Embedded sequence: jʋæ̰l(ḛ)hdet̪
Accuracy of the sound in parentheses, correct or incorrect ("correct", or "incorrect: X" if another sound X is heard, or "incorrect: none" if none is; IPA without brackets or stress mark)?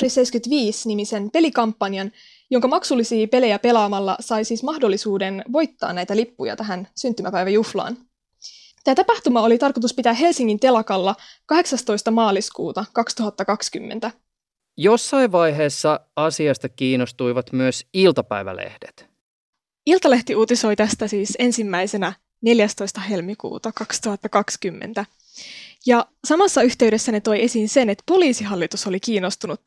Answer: correct